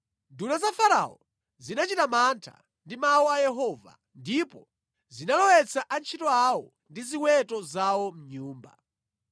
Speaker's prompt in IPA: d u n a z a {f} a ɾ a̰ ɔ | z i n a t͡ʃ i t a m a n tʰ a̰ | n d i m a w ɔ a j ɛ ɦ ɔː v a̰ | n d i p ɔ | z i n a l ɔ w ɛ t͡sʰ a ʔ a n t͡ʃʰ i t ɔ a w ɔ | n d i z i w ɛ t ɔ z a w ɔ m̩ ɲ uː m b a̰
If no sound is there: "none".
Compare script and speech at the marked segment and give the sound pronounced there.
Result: f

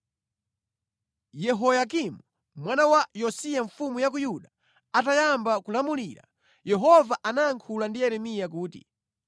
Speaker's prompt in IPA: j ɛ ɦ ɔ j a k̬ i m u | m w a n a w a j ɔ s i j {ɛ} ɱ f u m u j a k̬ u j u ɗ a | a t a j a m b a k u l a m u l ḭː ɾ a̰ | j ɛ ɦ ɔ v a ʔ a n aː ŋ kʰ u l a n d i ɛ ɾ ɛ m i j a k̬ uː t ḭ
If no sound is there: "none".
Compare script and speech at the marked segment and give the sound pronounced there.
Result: a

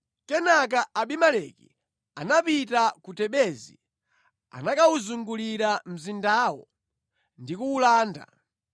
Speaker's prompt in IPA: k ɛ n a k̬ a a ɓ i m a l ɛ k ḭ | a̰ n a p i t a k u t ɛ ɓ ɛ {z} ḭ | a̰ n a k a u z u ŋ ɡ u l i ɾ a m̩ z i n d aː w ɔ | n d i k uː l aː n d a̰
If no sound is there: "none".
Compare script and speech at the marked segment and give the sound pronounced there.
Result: z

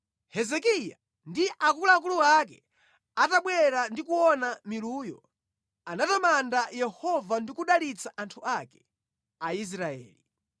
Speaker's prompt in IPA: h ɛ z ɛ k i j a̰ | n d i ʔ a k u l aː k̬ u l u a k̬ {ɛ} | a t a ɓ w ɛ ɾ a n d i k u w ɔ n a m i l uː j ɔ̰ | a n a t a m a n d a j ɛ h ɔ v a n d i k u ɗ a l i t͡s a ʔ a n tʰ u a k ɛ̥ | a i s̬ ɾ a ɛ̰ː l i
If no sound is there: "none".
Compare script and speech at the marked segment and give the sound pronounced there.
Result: ɛ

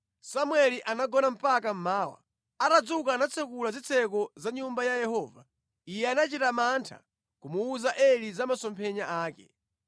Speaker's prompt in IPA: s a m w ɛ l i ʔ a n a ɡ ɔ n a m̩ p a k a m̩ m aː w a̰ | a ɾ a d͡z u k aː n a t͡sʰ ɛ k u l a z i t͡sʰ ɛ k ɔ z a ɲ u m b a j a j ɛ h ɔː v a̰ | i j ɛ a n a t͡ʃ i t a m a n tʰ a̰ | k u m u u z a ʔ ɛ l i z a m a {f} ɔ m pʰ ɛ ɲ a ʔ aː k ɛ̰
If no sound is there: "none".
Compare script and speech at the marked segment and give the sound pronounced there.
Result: s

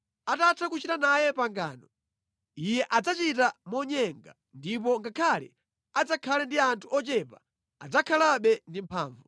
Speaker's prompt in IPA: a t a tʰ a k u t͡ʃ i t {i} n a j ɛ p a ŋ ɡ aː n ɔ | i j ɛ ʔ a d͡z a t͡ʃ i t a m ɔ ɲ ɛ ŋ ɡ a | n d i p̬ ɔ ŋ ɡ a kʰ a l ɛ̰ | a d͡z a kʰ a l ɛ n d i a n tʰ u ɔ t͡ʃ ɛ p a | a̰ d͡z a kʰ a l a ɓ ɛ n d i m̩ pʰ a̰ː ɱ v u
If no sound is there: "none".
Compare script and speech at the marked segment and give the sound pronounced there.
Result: a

